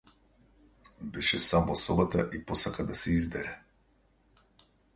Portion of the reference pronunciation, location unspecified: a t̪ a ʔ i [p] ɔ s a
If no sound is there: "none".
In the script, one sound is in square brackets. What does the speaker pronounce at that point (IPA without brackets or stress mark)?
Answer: p